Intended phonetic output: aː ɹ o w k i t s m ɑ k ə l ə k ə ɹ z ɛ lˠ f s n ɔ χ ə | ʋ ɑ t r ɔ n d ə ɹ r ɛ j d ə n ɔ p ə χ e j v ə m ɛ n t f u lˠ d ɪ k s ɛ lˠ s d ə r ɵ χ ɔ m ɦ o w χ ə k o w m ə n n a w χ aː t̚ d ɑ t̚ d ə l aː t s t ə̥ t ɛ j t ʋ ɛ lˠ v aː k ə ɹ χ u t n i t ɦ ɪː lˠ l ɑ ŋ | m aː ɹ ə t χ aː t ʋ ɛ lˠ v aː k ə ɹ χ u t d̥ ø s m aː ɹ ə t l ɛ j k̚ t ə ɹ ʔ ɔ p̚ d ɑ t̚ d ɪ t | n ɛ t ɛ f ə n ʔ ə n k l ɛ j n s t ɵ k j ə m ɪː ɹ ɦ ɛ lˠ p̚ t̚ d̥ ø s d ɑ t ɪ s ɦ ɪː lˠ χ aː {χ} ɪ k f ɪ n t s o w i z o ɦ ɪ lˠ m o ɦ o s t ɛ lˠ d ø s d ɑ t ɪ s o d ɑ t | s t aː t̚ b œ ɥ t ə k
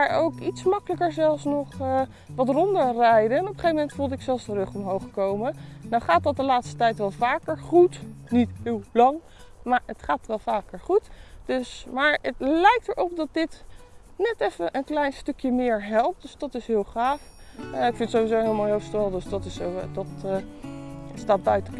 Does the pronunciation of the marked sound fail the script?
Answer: yes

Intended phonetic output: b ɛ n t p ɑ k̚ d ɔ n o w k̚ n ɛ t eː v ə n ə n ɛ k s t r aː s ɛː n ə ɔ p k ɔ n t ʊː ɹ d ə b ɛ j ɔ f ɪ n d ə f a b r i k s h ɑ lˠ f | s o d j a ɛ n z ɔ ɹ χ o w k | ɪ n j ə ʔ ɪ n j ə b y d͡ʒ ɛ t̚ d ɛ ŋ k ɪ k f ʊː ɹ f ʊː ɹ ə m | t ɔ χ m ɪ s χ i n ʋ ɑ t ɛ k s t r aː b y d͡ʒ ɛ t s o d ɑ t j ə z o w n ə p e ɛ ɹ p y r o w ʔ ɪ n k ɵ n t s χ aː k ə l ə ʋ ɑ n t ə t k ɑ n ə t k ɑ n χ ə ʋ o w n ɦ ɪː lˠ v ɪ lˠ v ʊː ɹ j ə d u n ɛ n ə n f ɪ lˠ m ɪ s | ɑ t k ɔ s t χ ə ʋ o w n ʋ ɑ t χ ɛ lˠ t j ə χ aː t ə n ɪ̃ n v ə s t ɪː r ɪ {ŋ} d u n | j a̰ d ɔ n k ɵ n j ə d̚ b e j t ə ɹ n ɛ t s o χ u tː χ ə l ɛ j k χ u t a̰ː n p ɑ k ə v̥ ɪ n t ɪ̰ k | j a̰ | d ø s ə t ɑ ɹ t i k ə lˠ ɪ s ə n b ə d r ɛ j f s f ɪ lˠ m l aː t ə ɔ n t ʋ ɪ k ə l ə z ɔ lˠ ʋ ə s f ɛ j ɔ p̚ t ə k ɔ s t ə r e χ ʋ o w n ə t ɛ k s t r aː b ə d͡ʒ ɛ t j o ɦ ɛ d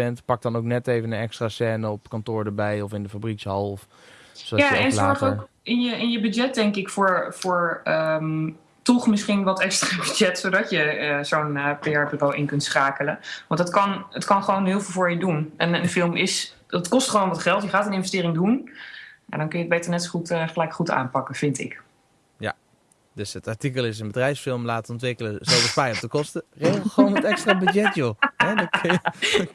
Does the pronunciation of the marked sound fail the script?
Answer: no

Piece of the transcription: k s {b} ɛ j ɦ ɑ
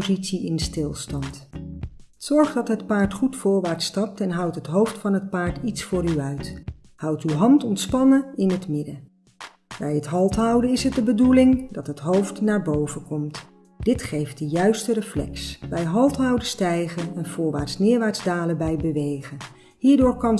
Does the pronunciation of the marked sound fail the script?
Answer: no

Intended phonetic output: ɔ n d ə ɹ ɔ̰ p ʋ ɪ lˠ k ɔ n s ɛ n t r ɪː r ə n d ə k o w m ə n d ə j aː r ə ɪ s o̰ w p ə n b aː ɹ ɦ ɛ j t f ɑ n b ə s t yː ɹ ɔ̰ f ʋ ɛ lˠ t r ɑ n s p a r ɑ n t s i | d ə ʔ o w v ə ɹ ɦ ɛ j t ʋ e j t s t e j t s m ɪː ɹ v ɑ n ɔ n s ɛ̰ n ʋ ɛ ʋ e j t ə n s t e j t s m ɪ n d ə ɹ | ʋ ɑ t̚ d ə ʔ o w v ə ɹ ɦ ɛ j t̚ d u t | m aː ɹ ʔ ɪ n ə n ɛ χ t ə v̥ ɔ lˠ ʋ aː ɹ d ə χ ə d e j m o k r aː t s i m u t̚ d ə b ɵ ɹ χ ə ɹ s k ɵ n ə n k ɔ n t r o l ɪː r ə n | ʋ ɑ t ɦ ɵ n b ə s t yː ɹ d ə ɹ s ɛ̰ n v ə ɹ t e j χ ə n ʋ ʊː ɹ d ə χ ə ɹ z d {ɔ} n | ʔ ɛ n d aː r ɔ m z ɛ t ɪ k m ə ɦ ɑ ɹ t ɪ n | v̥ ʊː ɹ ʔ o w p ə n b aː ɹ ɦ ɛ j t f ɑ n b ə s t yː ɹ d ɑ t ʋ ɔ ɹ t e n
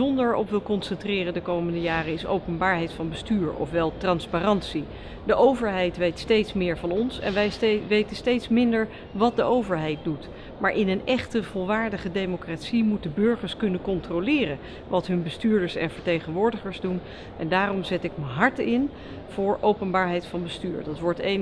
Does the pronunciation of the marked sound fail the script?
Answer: yes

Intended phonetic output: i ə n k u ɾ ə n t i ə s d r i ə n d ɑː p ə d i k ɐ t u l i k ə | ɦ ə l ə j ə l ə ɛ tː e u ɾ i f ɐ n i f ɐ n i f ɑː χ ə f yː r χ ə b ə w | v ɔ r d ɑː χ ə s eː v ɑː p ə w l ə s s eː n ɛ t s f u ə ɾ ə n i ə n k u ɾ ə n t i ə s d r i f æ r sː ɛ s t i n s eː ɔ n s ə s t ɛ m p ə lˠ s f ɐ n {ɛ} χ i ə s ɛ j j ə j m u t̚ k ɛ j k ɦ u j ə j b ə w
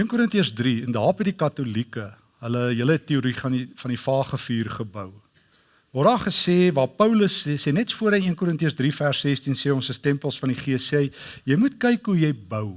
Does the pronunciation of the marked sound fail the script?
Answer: yes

